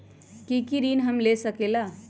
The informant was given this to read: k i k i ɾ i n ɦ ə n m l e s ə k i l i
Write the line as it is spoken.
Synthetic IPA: k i k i ɾ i n ɦ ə m l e s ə k e l a